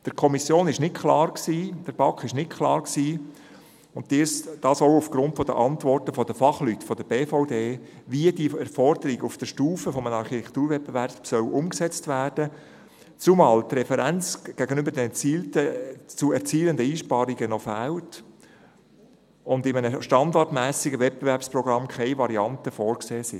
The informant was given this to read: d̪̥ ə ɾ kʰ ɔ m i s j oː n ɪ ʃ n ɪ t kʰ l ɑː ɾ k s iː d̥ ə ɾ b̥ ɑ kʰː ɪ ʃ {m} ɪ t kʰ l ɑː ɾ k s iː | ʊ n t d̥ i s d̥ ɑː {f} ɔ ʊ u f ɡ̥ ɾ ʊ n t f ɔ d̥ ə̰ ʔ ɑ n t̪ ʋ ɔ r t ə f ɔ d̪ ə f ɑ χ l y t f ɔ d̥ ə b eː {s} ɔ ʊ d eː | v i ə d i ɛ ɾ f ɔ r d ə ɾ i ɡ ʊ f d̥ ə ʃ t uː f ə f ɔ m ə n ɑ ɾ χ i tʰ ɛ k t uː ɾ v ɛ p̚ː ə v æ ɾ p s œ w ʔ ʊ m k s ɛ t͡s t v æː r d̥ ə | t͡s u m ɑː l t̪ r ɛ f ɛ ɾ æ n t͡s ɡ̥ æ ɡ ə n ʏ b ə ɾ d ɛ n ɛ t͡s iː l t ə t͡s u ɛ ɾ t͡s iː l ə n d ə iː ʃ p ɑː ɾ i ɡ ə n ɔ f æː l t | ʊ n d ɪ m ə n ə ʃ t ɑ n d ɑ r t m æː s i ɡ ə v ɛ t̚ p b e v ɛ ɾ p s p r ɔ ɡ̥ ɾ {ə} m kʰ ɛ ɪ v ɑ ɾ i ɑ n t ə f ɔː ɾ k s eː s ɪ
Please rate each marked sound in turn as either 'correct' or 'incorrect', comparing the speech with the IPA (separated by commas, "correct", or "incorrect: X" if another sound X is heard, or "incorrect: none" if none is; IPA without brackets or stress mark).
incorrect: n, incorrect: s, incorrect: f, incorrect: ɑ